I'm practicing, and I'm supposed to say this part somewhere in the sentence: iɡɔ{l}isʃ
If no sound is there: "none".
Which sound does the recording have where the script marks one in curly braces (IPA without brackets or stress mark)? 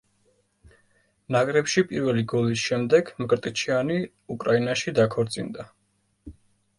l